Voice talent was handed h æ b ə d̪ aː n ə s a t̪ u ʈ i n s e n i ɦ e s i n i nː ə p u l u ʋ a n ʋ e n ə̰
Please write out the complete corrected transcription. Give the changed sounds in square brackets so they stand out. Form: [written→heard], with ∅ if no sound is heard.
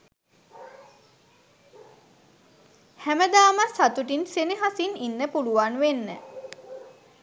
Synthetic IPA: h æ [b→m] ə d̪ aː [n→m] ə s a t̪ u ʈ i n s e n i ɦ [e→a] s i n i nː ə p u l u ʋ a n ʋ e [n→nː] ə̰